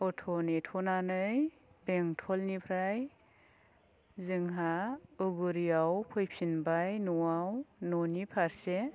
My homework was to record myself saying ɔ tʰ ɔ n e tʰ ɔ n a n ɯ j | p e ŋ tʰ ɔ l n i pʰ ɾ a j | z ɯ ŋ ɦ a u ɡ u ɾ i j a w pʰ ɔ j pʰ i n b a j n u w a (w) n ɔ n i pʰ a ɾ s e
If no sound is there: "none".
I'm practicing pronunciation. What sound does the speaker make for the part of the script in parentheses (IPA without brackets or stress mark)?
w